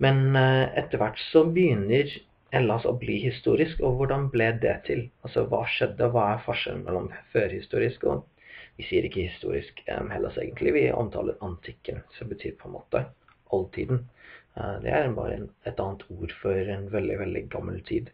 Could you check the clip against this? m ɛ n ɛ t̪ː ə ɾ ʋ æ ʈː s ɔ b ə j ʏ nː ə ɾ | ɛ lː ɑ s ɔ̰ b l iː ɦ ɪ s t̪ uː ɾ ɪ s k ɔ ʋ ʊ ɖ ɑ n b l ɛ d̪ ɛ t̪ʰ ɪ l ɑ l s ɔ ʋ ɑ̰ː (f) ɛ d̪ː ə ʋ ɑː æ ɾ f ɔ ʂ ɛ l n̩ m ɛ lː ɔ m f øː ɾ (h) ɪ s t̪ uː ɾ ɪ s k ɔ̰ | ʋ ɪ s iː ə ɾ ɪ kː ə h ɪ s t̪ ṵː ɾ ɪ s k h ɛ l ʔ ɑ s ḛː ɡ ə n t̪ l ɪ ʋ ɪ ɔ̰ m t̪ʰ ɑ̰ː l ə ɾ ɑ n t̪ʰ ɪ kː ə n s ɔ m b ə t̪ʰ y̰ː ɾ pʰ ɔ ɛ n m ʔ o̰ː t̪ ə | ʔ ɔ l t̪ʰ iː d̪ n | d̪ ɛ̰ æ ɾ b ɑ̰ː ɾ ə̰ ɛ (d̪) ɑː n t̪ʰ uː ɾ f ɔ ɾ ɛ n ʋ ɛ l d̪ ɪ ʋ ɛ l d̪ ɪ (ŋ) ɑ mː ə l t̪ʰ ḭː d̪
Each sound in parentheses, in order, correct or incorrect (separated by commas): incorrect, correct, incorrect, incorrect